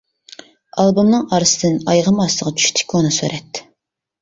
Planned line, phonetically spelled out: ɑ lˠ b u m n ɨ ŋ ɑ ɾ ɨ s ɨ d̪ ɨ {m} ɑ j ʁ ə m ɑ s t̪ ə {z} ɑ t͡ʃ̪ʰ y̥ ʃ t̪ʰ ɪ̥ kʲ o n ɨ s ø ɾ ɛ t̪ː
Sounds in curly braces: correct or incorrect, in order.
incorrect: n, incorrect: ʁ

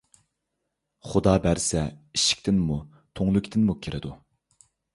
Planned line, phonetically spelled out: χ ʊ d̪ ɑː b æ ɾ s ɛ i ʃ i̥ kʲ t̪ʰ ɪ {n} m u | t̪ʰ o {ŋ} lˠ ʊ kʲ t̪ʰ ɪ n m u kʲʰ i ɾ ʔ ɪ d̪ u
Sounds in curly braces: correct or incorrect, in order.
correct, correct

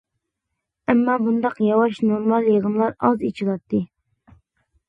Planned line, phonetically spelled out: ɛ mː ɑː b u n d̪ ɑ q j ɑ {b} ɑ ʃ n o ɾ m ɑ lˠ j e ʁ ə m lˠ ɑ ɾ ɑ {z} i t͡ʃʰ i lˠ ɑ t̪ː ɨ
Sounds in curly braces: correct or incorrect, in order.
incorrect: w, correct

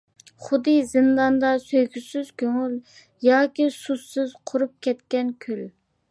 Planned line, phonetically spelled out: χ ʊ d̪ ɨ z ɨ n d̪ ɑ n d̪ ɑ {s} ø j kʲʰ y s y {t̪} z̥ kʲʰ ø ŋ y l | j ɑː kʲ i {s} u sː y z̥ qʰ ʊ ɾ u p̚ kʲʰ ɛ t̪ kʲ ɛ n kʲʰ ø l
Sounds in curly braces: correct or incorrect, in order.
correct, incorrect: none, correct

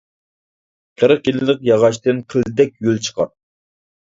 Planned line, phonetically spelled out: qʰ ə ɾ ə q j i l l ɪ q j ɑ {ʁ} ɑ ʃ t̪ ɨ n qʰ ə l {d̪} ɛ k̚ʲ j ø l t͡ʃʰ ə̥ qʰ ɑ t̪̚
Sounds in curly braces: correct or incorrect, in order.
correct, correct

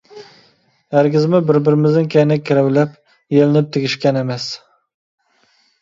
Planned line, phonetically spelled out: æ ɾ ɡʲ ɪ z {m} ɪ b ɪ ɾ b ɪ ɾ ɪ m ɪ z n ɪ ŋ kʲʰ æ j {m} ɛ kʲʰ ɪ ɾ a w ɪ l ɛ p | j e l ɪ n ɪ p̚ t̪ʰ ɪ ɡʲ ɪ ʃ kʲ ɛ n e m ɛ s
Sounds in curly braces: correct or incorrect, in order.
correct, incorrect: n

